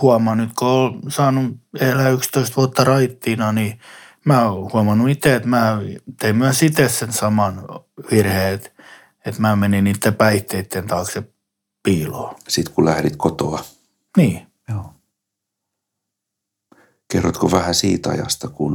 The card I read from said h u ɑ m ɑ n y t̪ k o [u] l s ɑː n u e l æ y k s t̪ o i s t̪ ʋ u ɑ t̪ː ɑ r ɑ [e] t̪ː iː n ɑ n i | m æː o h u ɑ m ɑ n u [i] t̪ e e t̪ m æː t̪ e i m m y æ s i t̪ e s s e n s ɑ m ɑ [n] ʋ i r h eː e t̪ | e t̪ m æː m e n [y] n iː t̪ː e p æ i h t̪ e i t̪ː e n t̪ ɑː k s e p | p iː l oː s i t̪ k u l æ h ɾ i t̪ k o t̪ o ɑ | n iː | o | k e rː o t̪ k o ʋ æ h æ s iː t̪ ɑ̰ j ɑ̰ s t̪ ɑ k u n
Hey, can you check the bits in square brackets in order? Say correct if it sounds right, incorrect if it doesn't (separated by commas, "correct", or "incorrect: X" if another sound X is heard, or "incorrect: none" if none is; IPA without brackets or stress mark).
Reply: incorrect: o, incorrect: i, correct, correct, incorrect: i